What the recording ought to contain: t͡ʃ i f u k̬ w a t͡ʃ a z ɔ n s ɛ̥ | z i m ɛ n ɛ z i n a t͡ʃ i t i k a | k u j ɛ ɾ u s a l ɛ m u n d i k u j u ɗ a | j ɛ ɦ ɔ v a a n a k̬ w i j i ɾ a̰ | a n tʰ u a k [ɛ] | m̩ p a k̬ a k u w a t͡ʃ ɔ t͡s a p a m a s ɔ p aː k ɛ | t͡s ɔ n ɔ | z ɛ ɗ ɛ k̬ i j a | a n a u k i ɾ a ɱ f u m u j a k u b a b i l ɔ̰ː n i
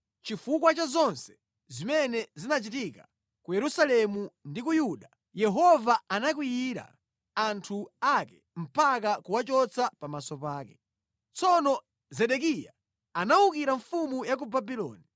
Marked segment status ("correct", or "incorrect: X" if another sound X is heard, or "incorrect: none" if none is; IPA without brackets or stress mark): correct